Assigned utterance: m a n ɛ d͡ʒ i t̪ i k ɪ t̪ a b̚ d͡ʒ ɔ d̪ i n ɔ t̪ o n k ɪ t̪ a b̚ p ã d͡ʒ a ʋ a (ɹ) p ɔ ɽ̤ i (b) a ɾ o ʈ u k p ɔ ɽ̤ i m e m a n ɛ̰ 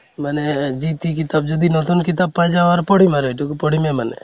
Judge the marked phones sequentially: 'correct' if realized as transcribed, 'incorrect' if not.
incorrect, incorrect

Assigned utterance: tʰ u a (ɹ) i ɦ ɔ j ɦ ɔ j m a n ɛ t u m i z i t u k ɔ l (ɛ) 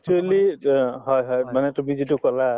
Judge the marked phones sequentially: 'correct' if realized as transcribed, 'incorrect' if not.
incorrect, incorrect

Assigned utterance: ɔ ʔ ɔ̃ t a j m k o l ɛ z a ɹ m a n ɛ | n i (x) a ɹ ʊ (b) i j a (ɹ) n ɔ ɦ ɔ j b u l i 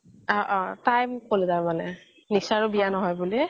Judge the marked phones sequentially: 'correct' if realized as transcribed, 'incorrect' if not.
incorrect, correct, incorrect

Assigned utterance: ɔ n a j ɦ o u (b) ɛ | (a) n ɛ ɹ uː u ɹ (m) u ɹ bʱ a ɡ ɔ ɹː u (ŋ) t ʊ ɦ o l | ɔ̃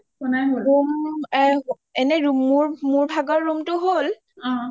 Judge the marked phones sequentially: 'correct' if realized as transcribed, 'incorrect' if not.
incorrect, incorrect, correct, incorrect

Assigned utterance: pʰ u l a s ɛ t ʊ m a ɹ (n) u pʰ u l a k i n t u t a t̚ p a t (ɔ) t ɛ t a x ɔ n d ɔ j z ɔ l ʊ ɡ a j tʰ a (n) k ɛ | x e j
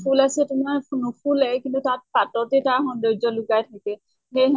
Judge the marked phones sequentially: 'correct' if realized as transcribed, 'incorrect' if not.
correct, correct, incorrect

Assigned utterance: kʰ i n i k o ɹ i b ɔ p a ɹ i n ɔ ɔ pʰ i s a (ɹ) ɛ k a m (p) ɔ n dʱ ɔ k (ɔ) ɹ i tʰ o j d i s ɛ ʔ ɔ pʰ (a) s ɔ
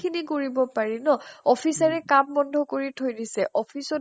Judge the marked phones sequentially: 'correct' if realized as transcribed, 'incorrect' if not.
correct, incorrect, incorrect, incorrect

